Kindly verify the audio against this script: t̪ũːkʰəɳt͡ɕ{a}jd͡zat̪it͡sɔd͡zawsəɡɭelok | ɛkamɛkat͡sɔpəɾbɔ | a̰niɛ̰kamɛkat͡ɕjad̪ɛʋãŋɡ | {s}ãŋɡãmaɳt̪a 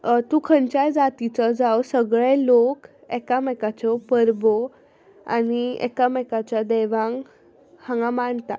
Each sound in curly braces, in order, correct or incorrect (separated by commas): correct, incorrect